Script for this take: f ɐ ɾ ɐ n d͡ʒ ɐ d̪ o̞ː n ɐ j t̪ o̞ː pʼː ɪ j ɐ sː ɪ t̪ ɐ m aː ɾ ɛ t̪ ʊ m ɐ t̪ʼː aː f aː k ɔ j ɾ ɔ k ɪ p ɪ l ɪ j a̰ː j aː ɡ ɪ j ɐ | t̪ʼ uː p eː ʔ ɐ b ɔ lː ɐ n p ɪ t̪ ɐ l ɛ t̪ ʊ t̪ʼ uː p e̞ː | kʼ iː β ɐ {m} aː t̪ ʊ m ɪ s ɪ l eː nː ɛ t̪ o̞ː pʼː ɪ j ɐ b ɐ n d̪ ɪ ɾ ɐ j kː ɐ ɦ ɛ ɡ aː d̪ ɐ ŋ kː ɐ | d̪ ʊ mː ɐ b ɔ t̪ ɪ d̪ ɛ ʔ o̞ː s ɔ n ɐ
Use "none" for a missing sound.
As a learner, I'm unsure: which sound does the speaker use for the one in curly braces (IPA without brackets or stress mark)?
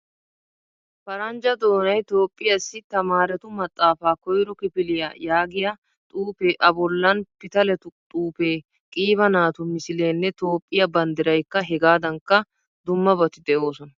n